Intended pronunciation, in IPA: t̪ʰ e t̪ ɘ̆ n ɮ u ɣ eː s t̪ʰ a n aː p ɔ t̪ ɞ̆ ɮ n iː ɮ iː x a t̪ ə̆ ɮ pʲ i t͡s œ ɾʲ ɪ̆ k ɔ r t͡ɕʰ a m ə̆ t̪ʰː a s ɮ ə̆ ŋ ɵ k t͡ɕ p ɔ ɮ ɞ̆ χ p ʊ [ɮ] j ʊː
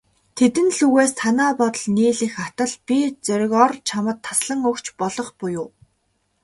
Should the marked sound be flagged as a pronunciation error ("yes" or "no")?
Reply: yes